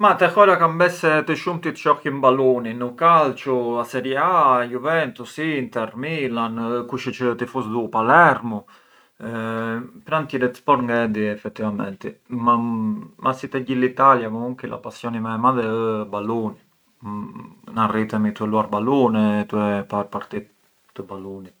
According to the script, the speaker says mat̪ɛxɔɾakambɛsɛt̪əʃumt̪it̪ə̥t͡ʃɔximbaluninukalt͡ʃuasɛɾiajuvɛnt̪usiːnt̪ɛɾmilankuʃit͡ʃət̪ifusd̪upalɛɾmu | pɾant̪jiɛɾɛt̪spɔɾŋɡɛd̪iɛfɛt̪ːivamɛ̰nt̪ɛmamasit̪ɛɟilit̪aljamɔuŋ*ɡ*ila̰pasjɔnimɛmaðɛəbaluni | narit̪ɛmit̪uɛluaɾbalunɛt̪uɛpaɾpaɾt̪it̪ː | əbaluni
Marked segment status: incorrect: k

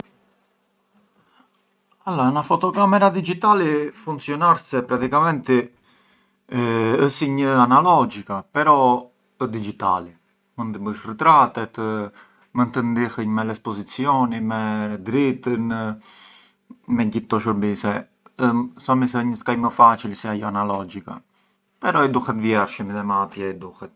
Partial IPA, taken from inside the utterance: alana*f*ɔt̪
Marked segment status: correct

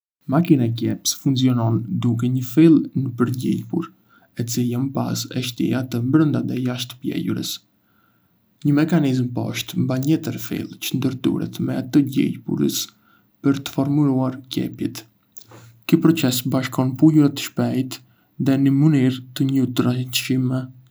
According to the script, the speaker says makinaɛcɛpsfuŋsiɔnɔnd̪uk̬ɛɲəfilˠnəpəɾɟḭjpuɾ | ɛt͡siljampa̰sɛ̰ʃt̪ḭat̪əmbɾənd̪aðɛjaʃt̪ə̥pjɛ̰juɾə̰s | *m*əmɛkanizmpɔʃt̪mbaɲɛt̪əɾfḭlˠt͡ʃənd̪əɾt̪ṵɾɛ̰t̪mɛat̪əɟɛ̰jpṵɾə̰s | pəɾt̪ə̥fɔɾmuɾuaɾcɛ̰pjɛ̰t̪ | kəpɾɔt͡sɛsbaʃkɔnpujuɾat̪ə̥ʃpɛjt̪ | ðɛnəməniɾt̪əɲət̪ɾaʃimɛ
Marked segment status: incorrect: ɲ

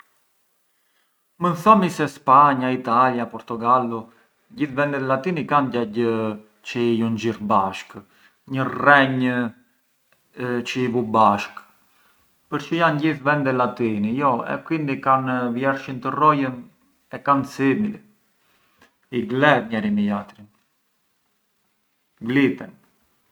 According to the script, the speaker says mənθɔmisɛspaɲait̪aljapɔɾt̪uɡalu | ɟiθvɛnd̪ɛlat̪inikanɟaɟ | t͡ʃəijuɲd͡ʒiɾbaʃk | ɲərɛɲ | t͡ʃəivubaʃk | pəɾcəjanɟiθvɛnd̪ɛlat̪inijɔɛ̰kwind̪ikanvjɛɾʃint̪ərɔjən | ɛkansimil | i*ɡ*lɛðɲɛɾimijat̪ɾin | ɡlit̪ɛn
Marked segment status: correct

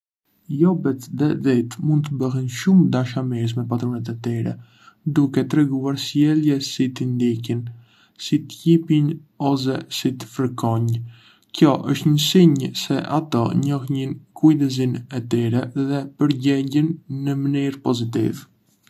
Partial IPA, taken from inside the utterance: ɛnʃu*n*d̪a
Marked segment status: incorrect: m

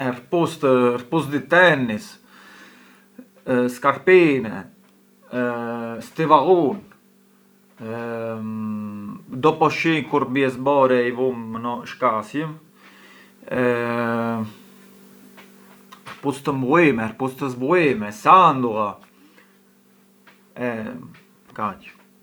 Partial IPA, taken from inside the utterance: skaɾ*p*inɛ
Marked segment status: correct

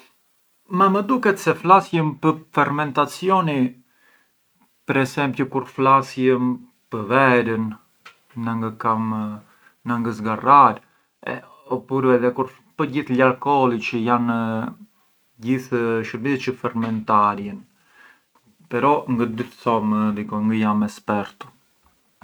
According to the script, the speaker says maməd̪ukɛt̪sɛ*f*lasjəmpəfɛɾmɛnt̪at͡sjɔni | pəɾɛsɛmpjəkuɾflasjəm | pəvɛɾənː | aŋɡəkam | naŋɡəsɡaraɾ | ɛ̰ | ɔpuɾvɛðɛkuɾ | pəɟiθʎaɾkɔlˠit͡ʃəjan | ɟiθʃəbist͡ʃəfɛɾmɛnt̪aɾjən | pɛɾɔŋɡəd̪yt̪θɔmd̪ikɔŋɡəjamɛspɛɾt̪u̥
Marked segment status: correct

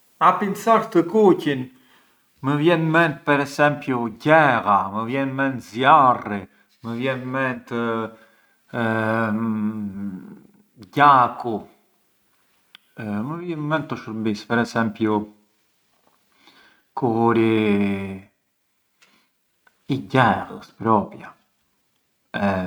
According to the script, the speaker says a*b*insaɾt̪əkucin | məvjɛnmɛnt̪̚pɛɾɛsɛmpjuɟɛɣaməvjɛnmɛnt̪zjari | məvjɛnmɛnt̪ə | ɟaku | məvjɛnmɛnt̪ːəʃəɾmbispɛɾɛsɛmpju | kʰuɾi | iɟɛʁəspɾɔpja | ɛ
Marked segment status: incorrect: p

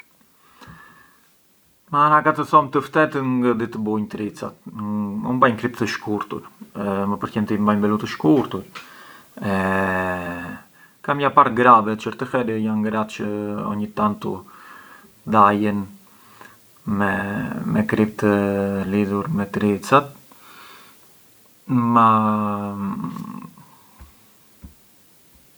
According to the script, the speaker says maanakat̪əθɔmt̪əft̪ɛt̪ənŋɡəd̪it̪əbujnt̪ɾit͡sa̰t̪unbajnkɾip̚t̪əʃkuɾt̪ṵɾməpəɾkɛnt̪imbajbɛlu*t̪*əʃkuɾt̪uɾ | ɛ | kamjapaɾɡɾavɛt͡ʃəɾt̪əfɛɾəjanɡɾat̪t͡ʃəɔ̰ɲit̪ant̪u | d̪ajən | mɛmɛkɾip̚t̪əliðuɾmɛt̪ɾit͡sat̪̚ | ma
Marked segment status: correct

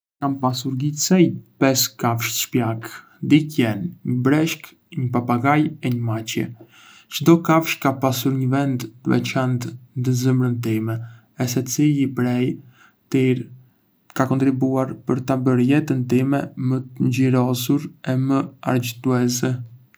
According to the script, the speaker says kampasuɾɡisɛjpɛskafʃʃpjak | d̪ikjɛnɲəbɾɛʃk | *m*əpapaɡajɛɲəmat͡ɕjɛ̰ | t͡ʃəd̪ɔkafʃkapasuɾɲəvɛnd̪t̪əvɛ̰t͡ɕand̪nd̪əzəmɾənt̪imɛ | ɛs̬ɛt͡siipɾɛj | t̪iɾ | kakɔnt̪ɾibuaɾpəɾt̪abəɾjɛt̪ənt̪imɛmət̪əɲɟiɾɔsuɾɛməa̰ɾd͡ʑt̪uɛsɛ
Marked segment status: incorrect: ɲ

